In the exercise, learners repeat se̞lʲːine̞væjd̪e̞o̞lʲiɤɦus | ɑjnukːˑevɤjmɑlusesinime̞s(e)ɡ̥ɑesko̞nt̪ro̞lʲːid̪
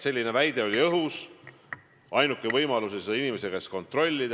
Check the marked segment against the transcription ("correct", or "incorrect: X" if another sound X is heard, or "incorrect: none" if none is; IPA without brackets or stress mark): correct